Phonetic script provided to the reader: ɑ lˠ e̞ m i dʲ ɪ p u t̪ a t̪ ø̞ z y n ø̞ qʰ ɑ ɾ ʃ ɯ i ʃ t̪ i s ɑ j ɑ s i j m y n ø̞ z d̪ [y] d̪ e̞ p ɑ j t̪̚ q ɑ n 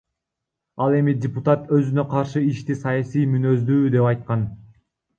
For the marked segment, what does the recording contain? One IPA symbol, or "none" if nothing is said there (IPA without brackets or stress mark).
yː